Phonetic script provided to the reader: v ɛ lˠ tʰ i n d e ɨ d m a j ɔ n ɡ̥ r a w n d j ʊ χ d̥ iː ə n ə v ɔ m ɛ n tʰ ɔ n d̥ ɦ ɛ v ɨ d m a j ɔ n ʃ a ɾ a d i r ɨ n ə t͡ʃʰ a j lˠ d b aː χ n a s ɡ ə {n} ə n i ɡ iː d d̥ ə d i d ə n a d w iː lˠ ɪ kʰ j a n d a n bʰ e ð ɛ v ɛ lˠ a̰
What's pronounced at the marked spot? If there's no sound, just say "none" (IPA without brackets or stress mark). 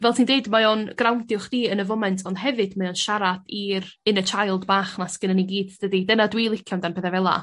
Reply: n